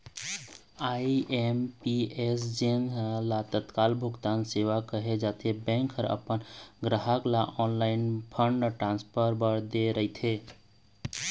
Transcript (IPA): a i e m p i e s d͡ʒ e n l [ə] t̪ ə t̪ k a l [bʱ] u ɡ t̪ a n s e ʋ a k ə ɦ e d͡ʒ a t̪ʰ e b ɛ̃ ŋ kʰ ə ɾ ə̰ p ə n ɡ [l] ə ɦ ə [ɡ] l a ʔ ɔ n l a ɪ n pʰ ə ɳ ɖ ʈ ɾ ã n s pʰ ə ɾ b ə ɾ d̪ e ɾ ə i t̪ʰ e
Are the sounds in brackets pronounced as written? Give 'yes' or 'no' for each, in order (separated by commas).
no, yes, no, no